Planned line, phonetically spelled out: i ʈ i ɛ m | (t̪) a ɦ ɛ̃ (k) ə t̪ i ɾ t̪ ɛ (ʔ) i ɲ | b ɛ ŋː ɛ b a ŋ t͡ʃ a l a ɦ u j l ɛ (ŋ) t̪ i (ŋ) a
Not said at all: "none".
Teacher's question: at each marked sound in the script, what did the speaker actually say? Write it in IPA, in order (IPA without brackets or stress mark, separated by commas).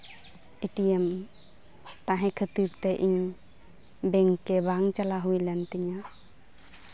t̪, kʰ, ʔ, n, ɲ